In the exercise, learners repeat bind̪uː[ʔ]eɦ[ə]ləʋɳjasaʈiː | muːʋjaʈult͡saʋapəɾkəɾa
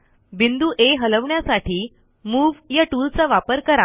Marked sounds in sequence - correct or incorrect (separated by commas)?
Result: correct, correct